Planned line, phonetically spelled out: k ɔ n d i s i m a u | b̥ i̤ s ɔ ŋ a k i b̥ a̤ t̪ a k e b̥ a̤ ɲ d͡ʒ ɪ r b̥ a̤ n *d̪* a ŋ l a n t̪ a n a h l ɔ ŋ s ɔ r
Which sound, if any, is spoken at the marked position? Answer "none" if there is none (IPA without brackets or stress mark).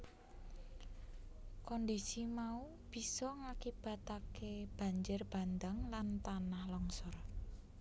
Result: d̪